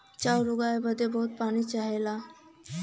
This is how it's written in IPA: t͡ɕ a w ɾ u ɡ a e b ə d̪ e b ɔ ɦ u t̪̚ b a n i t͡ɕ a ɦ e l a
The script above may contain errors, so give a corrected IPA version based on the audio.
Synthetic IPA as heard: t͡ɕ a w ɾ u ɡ a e b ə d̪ e b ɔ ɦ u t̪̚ p a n i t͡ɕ a ɦ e l a